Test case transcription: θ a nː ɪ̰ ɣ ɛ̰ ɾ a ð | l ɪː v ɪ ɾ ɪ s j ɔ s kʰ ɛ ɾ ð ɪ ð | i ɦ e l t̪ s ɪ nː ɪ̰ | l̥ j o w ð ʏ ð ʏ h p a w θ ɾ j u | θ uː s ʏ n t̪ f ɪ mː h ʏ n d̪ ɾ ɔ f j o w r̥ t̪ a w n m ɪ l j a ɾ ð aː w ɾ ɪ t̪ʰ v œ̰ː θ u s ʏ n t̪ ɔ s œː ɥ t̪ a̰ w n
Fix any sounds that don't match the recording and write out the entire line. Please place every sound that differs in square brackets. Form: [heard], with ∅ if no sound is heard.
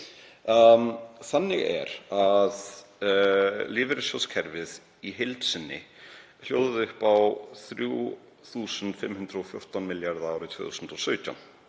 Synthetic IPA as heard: θ a nː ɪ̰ ɣ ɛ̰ ɾ a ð | l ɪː v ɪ ɾ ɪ s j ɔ s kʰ ɛ ɾ [v] ɪ ð | i ɦ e l t̪ s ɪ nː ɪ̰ | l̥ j o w ð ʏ ð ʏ h p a w θ ɾ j u | θ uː s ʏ n t̪ f ɪ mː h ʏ n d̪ ɾ ɔ f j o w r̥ t̪ a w n m ɪ l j a ɾ ð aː w ɾ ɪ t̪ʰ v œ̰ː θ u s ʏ n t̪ ɔ s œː ɥ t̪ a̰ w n